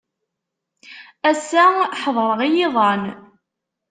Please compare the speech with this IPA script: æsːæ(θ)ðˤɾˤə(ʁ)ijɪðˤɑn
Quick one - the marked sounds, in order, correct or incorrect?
incorrect: ħ, correct

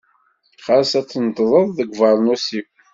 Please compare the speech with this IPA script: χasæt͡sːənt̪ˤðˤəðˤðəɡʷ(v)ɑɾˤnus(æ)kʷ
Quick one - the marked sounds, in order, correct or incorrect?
correct, incorrect: i

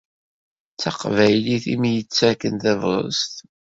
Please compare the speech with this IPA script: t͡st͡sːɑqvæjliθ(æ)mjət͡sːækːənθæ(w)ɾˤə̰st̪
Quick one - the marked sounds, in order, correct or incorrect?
incorrect: i, incorrect: v

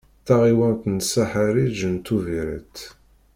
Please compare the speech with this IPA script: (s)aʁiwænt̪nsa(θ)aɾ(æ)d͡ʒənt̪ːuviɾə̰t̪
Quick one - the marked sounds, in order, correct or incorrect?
incorrect: θ, incorrect: ħ, incorrect: i

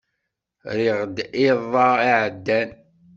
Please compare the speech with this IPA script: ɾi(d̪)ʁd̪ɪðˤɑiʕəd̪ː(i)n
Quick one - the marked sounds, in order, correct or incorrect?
incorrect: none, incorrect: æ

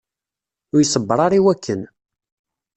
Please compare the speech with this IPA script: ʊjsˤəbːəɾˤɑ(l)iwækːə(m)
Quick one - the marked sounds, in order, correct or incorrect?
incorrect: ɾ, incorrect: n

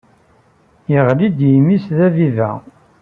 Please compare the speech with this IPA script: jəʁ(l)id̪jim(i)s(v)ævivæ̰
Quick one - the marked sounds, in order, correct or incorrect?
correct, correct, incorrect: ð

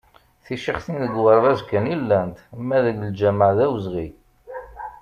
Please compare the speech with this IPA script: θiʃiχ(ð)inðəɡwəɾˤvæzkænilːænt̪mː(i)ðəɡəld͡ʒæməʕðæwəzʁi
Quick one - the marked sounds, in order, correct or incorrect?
incorrect: θ, incorrect: æ

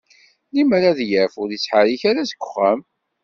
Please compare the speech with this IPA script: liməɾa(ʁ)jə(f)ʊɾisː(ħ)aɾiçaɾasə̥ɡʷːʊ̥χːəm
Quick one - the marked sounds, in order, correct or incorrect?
incorrect: ð, correct, correct

